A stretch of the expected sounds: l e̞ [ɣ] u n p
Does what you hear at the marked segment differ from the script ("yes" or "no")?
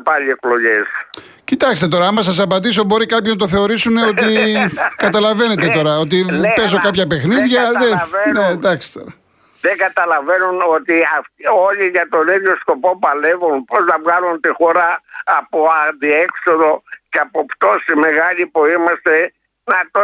yes